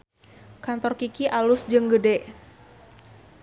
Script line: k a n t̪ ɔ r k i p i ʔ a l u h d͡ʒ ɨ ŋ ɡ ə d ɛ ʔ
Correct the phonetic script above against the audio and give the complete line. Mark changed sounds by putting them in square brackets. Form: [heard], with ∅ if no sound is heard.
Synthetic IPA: k a n t̪ ɔ r k i [k] i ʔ a l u [s] d͡ʒ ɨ ŋ ɡ ə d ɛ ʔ